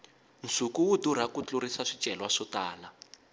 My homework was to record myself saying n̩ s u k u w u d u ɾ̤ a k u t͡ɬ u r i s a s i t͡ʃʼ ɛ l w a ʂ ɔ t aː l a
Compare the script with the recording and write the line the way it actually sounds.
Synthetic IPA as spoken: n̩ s u k u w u d u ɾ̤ a k u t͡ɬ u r i s a ʂ i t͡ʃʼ ɛ l w a ʂ ɔ t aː l a